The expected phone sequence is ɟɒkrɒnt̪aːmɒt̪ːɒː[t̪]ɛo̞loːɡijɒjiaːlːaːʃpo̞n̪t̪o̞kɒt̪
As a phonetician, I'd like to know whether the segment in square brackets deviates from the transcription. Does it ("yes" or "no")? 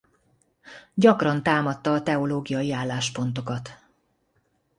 no